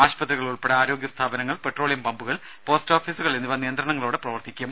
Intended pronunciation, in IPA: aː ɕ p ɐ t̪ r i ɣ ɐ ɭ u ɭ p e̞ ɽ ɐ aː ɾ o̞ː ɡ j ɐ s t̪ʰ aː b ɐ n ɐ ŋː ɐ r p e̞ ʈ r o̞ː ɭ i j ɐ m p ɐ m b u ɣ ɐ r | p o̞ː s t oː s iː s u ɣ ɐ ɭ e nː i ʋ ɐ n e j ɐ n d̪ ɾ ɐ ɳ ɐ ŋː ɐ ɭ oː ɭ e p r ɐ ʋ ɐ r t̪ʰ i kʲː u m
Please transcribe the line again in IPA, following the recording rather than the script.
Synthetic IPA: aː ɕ p ɐ t̪ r i ɣ ɐ ɭ u ɭ p e̞ ɽ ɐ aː ɾ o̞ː ɡ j ɐ s t̪ʰ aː b ɐ n ɐ ŋː ɐ ɭ p e̞ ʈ r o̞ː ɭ i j ɐ m p ɐ m b u ɣ ɐ ɭ | p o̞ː s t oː f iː s u ɣ ɐ ɭ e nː i ʋ ɐ n i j ɐ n d̪ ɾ ɐ ɳ ɐ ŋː ɐ ɭ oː ɽ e p r ɐ ʋ ɐ r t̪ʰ i kʲː u m